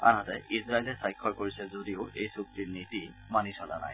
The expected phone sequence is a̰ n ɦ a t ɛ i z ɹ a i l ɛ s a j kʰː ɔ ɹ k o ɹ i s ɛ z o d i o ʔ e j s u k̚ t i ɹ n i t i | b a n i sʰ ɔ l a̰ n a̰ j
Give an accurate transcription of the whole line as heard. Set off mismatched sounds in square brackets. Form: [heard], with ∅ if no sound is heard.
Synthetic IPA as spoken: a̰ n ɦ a t ɛ i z ɹ a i l ɛ s a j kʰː ɔ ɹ k o ɹ i s ɛ z o d i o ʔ e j s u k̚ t i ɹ n i t i | [m] a n i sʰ ɔ l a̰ n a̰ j